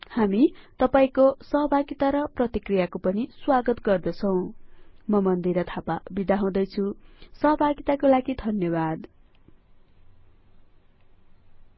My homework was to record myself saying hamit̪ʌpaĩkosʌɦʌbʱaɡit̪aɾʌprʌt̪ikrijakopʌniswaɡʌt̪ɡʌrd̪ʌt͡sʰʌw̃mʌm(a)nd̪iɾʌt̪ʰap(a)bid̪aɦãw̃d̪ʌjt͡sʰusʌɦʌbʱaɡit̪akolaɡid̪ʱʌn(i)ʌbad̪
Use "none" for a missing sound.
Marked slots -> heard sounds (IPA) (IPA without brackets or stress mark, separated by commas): ʌ, a, j